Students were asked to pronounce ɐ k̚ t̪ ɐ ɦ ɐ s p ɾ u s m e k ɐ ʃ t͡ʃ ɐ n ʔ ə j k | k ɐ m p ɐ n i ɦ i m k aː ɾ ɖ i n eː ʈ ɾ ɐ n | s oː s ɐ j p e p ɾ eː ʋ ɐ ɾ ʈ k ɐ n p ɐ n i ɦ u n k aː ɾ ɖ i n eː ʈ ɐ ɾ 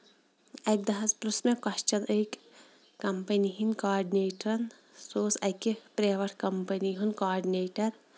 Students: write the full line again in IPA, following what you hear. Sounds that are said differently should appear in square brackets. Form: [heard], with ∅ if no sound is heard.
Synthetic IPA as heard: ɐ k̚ [d̪] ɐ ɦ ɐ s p ɾ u s m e k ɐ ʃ t͡ʃ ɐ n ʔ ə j k | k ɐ m p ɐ n i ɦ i [n] k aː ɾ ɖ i n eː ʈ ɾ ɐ n | s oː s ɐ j [k] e p ɾ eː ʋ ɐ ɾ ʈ k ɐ [m] p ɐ n i ɦ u n k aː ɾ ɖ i n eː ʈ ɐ ɾ